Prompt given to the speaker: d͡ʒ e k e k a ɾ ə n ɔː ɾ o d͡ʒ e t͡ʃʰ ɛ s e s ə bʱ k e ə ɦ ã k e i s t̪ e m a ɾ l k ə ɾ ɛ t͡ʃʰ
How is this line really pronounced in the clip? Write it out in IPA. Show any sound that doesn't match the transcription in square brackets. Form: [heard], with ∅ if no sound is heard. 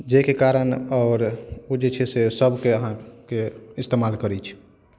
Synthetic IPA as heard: d͡ʒ e k e k a ɾ ə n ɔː ɾ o d͡ʒ e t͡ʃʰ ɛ s e s ə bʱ k e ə ɦ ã k e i s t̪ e m a [∅] l k ə ɾ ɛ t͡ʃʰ